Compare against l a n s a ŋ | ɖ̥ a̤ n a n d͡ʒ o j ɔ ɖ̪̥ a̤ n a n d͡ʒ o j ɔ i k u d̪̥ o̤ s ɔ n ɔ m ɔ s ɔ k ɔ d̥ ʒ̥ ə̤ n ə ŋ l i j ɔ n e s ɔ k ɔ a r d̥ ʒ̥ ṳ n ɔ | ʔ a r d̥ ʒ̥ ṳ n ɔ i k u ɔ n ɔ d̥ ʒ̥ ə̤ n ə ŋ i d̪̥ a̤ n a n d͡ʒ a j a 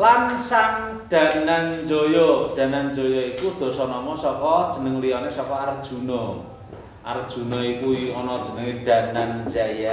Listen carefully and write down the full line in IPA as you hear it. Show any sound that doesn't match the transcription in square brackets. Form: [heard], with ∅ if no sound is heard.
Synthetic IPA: l a n s a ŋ | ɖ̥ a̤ n a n d͡ʒ o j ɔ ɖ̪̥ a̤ n a n d͡ʒ o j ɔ i k u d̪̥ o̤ s ɔ n ɔ m ɔ s ɔ k ɔ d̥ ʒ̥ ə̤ n ə ŋ l i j ɔ n e s ɔ k ɔ a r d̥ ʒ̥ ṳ n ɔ | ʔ a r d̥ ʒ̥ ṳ n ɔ i k u ɔ n ɔ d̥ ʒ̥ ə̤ n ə ŋ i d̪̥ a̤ n a n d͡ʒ a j a